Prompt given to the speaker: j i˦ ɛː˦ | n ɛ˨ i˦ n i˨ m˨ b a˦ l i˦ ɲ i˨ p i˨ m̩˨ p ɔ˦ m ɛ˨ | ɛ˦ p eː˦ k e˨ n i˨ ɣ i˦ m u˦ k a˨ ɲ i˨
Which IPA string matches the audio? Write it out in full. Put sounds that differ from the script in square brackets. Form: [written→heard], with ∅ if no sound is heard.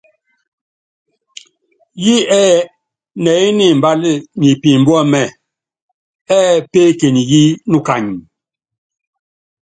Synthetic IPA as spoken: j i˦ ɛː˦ | n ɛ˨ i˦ n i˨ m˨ b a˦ l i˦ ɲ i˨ p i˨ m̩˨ [p→b] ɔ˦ m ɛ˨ | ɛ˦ p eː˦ k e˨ n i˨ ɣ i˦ [m→n] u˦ k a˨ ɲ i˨